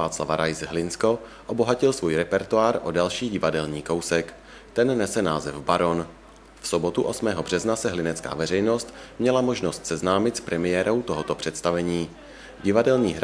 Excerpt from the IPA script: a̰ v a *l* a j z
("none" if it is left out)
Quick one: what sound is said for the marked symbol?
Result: ɾ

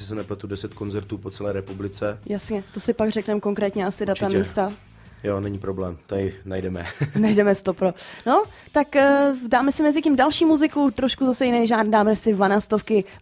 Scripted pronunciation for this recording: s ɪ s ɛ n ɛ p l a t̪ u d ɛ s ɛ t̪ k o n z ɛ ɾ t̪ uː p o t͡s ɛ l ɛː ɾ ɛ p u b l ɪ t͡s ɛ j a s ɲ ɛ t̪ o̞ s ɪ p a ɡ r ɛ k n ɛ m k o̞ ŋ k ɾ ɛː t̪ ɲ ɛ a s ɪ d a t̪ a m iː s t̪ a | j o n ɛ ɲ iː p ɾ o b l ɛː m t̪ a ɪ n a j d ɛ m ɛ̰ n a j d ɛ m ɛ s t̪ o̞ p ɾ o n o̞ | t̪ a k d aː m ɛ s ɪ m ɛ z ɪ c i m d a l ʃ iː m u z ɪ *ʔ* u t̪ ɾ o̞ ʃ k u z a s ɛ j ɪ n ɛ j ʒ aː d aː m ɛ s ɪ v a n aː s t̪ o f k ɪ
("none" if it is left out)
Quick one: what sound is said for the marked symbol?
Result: k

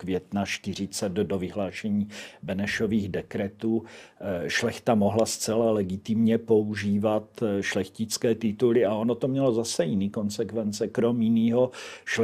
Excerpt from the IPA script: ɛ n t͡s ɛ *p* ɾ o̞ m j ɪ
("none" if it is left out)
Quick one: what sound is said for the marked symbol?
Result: k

